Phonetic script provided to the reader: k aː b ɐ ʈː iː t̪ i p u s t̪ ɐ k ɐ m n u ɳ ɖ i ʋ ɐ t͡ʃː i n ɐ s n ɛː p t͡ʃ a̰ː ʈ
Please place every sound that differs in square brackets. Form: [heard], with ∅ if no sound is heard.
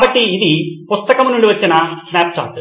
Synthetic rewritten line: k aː b ɐ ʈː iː [d̪] i p u s t̪ ɐ k ɐ m n u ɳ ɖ i ʋ ɐ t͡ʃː i n ɐ s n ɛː p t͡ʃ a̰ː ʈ

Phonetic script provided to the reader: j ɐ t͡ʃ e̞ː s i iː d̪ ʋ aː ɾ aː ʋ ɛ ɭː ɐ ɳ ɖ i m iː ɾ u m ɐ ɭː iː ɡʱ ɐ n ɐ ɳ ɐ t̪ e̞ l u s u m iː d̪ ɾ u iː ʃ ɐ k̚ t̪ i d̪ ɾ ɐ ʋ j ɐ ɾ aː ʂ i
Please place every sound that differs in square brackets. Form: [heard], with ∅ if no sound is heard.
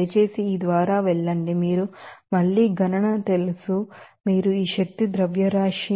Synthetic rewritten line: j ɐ t͡ʃ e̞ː s i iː d̪ ʋ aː ɾ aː ʋ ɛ ɭː ɐ ɳ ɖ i m iː ɾ u m ɐ ɭː iː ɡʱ ɐ n ɐ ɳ ɐ t̪ e̞ l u s u m iː [∅] ɾ u iː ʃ ɐ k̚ t̪ i d̪ ɾ ɐ ʋ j ɐ ɾ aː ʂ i

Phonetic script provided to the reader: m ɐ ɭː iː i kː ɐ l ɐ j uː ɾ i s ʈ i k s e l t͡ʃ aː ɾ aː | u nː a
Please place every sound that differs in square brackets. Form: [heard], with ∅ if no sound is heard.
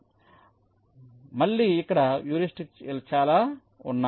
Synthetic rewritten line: m ɐ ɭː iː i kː ɐ [ɽ] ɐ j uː ɾ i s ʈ i k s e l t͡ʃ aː [l] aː | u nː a

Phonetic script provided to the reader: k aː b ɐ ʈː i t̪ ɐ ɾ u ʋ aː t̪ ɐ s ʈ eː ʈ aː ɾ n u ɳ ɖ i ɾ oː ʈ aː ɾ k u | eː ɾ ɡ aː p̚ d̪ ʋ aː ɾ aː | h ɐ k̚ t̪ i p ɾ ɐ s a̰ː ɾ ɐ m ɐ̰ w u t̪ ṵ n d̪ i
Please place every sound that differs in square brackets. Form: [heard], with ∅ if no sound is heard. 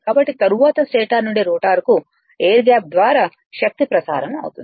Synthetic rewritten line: k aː b ɐ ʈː i t̪ ɐ ɾ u ʋ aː t̪ ɐ s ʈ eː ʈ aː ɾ n u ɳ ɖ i ɾ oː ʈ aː ɾ k u | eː ɾ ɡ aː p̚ d̪ ʋ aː ɾ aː | [ʃ] ɐ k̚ t̪ i p ɾ ɐ s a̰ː ɾ ɐ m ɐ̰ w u t̪ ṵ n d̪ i

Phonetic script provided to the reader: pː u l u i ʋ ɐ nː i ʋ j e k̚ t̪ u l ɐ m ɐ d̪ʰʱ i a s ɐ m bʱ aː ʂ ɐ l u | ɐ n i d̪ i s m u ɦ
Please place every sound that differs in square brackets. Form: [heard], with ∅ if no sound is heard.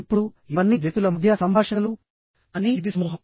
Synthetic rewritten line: pː u [ɽ] u i ʋ ɐ nː i ʋ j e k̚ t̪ u l ɐ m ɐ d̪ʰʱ [j] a s ɐ m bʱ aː ʂ ɐ l u | ɐ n i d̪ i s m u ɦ

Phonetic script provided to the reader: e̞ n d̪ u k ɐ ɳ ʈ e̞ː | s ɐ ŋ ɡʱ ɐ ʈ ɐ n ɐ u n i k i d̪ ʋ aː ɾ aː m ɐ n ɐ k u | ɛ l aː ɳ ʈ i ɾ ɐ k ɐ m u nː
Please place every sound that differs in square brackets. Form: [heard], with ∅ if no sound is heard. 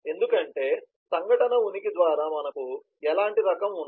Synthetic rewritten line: e̞ n d̪ u k ɐ ɳ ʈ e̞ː | s ɐ ŋ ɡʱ ɐ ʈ ɐ n ɐ u n i k i d̪ ʋ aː ɾ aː m ɐ n ɐ k u | ɛ l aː ɳ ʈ i ɾ ɐ k ɐ m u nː

